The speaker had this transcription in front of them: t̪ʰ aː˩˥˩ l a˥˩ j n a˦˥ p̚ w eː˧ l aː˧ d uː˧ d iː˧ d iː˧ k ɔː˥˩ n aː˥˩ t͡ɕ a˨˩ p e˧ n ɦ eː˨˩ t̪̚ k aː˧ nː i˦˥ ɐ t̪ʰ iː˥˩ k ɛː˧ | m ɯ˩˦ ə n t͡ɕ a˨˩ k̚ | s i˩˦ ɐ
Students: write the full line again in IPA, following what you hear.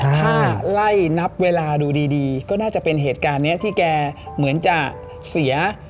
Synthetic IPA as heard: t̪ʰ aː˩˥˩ l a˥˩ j n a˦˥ p̚ w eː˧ l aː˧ d uː˧ d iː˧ d iː˧ k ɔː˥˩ n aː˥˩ t͡ɕ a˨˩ p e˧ n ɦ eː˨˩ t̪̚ k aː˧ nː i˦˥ ɐ t̪ʰ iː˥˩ k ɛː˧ | m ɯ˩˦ ə n t͡ɕ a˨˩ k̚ | s i˩˦ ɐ